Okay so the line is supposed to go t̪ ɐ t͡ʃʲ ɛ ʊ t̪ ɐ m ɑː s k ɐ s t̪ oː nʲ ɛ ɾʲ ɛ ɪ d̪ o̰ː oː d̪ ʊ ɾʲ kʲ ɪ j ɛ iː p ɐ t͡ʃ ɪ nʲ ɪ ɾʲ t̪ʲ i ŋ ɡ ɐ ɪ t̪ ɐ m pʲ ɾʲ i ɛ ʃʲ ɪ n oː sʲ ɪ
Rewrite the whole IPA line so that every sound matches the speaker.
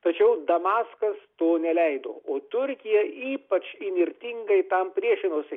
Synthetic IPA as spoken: t̪ ɐ t͡ʃʲ ɛ ʊ d̪ ɐ m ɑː s k ɐ s t̪ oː nʲ ɛ lʲ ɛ ɪ d̪ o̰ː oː t̪ ʊ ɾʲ kʲ ɪ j ɛ iː p ɐ t͡ʃ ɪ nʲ ɪ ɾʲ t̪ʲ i ŋ ɡ ɐ ɪ t̪ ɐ m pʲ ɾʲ i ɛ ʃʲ ɪ n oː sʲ ɪ

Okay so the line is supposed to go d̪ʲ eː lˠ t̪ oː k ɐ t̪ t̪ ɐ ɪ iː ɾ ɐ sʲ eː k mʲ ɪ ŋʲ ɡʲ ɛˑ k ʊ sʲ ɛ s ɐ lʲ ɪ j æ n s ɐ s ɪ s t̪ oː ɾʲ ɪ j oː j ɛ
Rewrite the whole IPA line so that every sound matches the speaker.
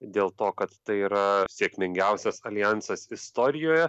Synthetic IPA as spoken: d̪ʲ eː lˠ t̪ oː k ɐ t̪ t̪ ɐ ɪ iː ɾ ɐ sʲ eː k mʲ ɪ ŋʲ ɡʲ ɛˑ ʊ sʲ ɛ s ɐ lʲ ɪ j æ n s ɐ s ɪ s t̪ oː ɾʲ ɪ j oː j ɛ

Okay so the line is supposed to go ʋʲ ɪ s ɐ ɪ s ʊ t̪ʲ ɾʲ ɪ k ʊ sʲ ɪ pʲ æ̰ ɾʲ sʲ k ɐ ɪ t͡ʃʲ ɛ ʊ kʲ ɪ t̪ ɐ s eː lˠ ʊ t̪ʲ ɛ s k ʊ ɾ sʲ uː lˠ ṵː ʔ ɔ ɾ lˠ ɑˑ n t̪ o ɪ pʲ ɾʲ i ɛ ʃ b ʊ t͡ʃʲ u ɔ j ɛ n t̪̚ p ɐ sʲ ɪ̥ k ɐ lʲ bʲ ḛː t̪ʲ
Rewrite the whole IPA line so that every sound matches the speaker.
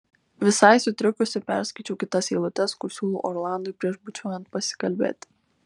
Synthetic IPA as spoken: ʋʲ ɪ s ɐ ɪ s ʊ t̪ʲ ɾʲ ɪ k ʊ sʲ ɪ pʲ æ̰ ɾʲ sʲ k ɐ ɪ t͡ʃʲ ɛ ʊ kʲ ɪ t̪ ɐ s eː lˠ ʊ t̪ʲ ɛ s k ʊ ɾ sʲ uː lˠ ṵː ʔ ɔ ɾ lˠ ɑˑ n d̪ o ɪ pʲ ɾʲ i ɛ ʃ b ʊ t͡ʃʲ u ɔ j ɛ n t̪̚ p ɐ sʲ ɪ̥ k ɐ lʲ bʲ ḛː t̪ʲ

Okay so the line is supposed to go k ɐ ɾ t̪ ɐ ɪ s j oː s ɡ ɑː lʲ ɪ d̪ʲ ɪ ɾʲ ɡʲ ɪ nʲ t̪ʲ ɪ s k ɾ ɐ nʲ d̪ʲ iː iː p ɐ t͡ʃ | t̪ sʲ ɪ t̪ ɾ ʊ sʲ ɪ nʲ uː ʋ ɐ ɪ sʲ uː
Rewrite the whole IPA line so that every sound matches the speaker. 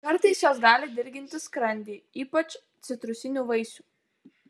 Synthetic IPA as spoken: k ɐ ɾ t̪ ɐ ɪ s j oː s ɡ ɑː lʲ ɪ d̪ʲ ɪ ɾʲ ɡʲ ɪ nʲ t̪ʲ ɪ s k ɾ ɐ nʲ d̪ʲ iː iː p ɐ t͡ʃ | t̪ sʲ ɪ t̪ ɾ ʊ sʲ ɪ nʲ uː ʋ ɐ ɪ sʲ uː

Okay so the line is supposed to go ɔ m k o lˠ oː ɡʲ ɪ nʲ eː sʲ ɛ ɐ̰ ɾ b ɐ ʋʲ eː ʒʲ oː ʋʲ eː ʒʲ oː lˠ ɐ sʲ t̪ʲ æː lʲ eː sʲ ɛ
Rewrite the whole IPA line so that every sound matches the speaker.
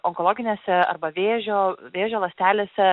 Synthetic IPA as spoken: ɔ ŋ k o lˠ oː ɡʲ ɪ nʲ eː sʲ ɛ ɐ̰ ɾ b ɐ ʋʲ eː ʒʲ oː ʋʲ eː ʒʲ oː lˠ ɐ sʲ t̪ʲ æː lʲ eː sʲ ɛ

